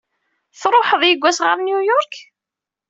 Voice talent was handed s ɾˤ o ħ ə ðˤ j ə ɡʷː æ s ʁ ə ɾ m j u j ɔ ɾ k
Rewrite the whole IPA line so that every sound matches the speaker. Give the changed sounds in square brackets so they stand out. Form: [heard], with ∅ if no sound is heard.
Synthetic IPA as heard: [θ] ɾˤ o ħ ə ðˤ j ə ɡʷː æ s ʁ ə ɾ [n] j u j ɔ ɾ k